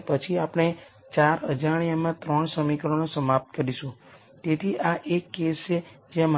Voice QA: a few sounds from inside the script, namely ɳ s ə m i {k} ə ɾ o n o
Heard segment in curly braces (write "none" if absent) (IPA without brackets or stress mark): k